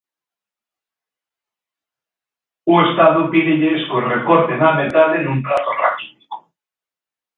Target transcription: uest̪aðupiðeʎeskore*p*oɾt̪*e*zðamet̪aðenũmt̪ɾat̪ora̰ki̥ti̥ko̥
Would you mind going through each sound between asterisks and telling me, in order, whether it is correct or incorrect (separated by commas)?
incorrect, correct